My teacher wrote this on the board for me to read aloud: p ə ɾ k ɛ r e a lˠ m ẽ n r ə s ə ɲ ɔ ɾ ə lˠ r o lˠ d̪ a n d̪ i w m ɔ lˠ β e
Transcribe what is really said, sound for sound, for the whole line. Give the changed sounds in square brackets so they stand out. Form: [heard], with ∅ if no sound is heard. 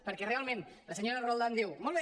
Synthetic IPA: p ə ɾ k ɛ r e a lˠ m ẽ n [l] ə s ə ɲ [o] ɾ ə [∅] r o lˠ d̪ a n d̪ i w m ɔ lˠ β e